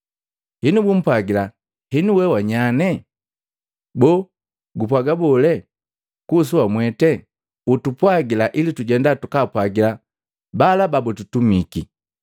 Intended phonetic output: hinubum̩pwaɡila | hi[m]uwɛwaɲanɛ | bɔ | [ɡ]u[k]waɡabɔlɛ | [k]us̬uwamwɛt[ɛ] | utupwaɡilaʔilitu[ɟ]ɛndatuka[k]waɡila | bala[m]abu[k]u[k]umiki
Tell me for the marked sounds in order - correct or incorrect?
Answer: incorrect, correct, incorrect, correct, correct, correct, incorrect, incorrect, incorrect, incorrect

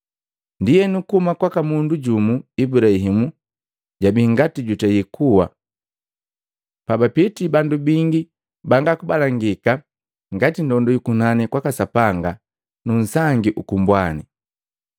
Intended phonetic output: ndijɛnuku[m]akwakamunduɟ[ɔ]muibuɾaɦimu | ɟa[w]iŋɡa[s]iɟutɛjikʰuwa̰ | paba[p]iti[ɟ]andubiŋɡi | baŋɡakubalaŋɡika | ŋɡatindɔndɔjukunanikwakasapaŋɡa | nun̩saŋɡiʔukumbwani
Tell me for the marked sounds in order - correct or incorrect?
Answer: correct, incorrect, incorrect, incorrect, correct, incorrect

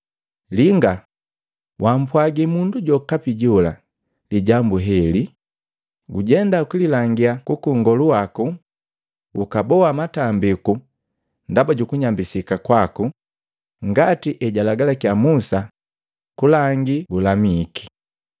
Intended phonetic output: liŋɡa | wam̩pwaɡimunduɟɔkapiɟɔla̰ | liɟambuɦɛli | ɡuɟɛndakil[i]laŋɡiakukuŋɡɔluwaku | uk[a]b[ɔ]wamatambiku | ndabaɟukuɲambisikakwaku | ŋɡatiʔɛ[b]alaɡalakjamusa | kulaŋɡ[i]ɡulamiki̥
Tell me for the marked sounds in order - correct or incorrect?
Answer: correct, correct, correct, incorrect, correct

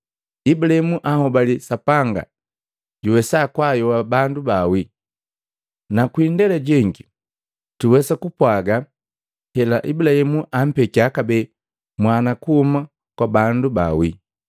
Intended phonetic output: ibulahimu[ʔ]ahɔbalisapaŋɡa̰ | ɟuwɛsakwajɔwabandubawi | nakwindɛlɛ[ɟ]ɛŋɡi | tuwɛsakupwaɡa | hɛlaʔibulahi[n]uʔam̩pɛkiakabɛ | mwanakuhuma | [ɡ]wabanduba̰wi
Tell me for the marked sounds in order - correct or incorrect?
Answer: correct, correct, incorrect, incorrect

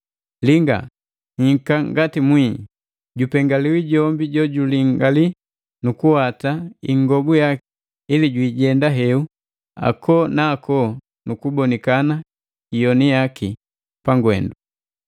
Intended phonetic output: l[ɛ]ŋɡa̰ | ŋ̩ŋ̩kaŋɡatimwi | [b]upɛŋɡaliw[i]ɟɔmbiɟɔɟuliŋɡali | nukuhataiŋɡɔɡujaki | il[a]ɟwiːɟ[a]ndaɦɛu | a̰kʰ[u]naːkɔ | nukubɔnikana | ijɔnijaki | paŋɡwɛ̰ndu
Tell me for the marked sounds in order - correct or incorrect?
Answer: incorrect, incorrect, correct, incorrect, incorrect, incorrect

